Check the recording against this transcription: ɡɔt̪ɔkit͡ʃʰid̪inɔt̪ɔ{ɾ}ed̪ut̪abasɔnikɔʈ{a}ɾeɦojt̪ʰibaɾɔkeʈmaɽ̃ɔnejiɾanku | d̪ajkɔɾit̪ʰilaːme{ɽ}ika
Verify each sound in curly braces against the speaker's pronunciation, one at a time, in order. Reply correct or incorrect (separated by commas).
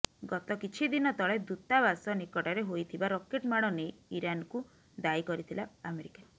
incorrect, correct, incorrect